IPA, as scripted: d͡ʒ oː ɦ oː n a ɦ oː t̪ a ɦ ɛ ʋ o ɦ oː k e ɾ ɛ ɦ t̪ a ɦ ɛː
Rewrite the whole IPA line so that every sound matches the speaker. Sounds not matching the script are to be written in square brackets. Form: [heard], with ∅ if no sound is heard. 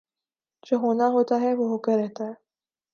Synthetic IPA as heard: d͡ʒ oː ɦ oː n a ɦ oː t̪ a ɦ ɛ ʋ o ɦ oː k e ɾ ɛ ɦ t̪ a ɦ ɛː